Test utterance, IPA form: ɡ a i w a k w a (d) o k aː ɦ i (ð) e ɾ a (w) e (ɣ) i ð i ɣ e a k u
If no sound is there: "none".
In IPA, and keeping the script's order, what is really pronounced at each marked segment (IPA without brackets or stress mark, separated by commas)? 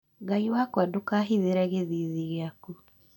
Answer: d, ð, ɣ, ð